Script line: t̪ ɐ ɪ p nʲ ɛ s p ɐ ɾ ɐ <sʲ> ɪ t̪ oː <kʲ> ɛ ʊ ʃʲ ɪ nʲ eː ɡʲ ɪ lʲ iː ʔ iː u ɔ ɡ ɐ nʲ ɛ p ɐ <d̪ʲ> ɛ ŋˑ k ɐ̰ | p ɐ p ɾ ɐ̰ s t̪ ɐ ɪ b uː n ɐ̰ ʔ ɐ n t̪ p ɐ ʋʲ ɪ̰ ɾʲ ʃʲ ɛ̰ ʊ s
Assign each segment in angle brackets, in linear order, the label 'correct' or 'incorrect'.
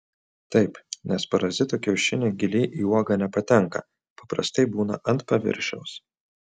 incorrect: zʲ, correct, incorrect: t̪ʲ

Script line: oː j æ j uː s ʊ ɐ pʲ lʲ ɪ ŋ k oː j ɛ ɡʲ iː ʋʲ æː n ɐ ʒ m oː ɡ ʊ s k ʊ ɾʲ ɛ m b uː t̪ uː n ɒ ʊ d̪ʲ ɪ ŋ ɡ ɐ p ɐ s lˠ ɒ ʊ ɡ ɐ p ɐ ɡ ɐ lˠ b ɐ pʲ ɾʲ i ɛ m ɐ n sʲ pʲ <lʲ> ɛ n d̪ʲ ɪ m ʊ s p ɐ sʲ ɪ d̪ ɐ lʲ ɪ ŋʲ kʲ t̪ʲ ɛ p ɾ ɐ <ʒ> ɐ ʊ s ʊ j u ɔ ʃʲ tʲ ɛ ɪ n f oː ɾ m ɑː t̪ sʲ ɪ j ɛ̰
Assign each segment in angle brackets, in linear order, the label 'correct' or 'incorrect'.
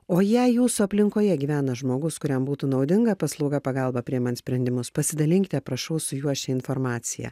incorrect: ɾʲ, incorrect: ʃ

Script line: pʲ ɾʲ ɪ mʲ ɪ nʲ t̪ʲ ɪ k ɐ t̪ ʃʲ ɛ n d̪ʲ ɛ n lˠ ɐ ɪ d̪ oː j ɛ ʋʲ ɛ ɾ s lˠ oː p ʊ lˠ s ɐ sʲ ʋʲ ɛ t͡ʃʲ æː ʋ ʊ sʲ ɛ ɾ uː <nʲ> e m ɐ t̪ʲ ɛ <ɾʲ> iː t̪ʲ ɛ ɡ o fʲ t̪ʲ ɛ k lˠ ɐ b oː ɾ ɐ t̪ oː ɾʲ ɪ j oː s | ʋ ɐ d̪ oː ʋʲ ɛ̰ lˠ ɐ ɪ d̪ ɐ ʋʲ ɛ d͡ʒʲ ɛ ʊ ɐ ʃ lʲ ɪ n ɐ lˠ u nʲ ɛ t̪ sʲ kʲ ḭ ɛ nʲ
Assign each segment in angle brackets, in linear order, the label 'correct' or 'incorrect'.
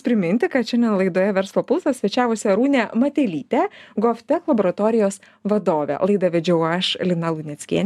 correct, incorrect: lʲ

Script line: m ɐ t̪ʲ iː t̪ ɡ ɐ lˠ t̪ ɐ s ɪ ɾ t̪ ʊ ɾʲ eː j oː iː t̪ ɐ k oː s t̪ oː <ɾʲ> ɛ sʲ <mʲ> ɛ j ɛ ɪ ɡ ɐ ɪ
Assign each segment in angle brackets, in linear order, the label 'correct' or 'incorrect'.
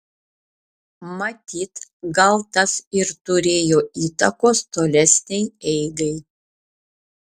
incorrect: lʲ, incorrect: nʲ

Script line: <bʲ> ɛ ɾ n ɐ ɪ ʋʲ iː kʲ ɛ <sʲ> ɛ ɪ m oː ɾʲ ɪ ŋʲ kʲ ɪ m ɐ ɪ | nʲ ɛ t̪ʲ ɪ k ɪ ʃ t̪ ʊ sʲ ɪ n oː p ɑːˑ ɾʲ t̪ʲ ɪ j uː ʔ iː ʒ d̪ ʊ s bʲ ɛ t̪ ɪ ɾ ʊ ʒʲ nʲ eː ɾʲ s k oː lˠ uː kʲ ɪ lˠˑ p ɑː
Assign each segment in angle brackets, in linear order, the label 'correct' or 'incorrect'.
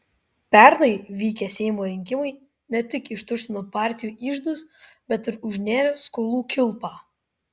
incorrect: pʲ, correct

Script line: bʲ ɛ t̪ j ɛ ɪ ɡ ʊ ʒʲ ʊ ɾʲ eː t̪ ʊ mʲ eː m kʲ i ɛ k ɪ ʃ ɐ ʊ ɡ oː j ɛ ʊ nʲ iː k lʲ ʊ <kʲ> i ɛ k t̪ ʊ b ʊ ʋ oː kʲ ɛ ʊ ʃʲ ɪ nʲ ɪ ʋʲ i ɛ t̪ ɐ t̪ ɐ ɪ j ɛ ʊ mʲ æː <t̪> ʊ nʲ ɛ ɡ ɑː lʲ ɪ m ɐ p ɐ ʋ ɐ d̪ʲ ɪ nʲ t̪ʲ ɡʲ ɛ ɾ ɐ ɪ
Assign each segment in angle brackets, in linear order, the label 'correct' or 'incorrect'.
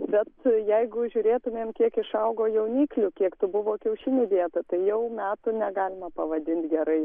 correct, correct

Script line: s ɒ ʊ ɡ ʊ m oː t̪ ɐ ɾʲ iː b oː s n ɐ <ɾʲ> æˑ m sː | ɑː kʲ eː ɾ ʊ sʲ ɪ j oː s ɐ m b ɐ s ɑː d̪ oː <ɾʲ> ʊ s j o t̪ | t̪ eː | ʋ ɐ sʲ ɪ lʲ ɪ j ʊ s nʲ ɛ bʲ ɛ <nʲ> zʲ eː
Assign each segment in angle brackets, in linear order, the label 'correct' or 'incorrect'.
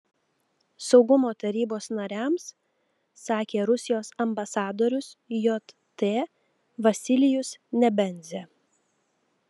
correct, correct, correct

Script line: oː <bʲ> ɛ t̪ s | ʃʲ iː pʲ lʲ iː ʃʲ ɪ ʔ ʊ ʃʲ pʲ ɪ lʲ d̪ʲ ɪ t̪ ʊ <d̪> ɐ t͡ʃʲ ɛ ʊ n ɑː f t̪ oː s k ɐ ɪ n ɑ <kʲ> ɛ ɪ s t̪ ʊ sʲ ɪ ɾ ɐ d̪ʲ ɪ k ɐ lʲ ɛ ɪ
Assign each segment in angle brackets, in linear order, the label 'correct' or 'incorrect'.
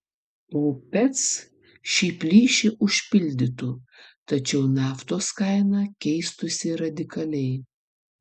incorrect: pʲ, incorrect: t̪, correct

